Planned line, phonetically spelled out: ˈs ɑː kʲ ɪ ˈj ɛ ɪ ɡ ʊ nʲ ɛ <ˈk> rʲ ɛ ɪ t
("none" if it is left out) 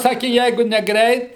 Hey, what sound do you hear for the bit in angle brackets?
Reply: ɡ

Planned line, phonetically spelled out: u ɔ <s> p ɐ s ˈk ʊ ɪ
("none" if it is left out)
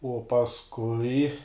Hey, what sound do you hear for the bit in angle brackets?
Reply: none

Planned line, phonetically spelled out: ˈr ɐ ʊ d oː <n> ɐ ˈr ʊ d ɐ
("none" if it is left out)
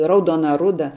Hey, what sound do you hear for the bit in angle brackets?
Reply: n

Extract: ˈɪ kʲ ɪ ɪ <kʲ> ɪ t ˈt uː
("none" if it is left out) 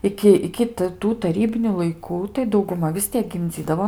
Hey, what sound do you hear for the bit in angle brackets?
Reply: kʲ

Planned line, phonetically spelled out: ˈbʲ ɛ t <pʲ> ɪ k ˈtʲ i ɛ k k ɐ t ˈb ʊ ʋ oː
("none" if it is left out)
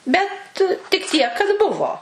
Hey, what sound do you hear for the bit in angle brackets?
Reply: tʲ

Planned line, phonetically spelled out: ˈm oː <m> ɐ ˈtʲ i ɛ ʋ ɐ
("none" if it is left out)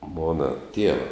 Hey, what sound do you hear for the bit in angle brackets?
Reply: n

